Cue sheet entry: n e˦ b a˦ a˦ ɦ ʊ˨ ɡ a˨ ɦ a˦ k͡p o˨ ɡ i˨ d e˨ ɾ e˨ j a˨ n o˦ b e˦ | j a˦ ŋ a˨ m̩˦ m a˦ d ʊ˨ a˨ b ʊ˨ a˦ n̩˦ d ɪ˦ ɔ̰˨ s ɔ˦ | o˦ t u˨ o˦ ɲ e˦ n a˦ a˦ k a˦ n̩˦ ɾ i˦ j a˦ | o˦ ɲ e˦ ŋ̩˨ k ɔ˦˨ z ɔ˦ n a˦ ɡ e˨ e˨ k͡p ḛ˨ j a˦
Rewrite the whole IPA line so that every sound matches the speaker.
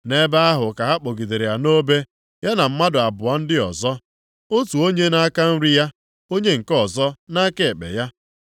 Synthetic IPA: n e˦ b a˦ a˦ ɦ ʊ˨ k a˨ ɦ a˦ k͡p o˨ ɡ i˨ d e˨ ɾ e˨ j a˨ n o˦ b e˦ | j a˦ n a˨ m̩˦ m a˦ d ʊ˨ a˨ b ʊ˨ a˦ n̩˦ d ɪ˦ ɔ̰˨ z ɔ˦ | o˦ t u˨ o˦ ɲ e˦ n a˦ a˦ k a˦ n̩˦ ɾ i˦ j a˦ | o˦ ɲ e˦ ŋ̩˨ k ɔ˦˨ z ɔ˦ n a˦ k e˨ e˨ k͡p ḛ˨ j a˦